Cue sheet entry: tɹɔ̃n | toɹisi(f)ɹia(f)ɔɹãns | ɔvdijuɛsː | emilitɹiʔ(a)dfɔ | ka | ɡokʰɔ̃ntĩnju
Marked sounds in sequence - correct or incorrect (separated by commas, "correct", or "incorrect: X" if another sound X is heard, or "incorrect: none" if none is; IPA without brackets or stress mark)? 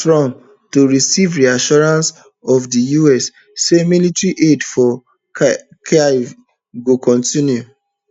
incorrect: v, incorrect: ʃ, incorrect: e